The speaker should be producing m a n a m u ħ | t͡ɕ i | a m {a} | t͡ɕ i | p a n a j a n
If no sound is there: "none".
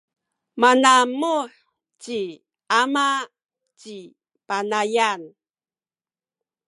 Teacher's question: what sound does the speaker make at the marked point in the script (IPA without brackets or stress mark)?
a